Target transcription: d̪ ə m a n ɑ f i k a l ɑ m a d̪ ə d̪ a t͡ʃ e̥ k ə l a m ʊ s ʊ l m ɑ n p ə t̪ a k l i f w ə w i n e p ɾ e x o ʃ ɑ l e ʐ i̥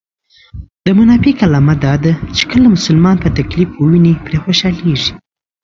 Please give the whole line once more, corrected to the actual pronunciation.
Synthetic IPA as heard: d̪ ə m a n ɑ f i k a l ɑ m a d̪ ɑ d̪ a t͡ʃ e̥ k ə l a m ʊ s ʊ l m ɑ n p ə t̪ a k l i f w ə w i n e p ɾ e x o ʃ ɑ l e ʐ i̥